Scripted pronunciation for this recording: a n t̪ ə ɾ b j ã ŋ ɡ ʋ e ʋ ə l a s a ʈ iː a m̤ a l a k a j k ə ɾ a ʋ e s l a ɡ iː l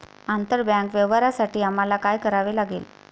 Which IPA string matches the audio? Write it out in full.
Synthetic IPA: a n t̪ ə ɾ b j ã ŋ k ʋ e ʋ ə ɾ a s a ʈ iː a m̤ a l a k a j k ə ɾ a ʋ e l a ɡ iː l